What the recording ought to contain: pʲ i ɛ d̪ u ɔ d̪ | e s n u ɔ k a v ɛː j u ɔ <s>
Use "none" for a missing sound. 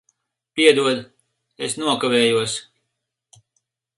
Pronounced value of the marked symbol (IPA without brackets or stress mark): s